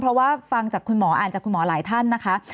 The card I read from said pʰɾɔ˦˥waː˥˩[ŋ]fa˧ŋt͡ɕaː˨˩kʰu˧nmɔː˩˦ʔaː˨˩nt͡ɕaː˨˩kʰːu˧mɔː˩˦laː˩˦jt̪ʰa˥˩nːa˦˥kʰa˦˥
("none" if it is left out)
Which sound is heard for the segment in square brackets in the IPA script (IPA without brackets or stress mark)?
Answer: none